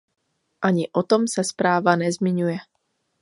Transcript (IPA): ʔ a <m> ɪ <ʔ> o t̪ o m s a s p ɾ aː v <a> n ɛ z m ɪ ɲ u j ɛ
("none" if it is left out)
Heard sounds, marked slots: ɲ, ʔ, a

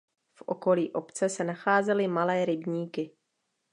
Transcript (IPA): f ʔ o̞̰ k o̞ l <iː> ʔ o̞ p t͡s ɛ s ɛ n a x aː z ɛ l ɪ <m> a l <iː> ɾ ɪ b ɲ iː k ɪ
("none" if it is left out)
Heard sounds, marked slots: iː, m, ɛː

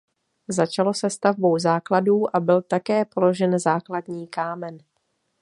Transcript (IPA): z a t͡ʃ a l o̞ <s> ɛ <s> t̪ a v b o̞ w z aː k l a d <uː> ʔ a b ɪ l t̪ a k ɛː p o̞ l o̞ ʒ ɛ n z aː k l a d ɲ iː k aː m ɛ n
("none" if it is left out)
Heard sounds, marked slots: s, s, uː

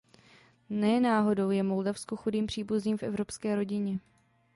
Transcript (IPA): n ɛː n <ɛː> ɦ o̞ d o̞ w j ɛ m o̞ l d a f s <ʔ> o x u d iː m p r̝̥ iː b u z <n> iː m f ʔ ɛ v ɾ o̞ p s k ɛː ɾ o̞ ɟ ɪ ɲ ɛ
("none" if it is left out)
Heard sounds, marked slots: aː, k, n

